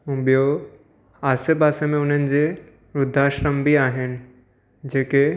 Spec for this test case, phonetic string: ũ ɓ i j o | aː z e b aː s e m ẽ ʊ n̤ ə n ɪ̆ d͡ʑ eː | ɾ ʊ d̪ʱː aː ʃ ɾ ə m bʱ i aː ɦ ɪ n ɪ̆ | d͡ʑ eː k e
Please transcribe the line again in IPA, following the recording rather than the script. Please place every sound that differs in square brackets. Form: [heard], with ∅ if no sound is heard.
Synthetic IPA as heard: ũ ɓ i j o | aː [s] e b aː s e m ẽ ʊ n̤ ə n ɪ̆ d͡ʑ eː | ɾ ʊ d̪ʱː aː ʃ ɾ ə m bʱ i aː ɦ ɪ n ɪ̆ | d͡ʑ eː k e